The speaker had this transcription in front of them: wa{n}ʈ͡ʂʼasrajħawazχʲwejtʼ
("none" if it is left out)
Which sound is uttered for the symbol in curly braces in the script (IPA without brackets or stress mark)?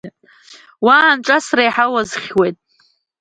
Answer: n